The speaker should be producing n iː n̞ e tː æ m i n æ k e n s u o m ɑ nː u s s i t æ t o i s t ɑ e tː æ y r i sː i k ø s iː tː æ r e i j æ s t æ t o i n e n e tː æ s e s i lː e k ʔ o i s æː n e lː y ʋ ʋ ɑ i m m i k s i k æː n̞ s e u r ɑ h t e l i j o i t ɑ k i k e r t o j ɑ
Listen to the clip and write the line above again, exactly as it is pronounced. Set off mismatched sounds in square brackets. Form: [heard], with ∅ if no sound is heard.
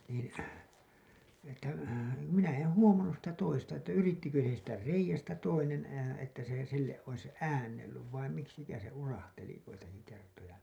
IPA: n iː n̞ e tː æ m i n æ [∅] e n [h] u o m ɑ nː u s s i t æ t o i s t ɑ e tː æ y r i [tː] i k ø s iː tː æ r e i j æ s t æ t o i n e n e tː æ s e s i lː e [ʔ] ʔ o i s æː [nː] e lː y ʋ ʋ ɑ i m m i k s i k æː n̞ s e u r ɑ h t e l i j o i t ɑ k i k e r t o j ɑ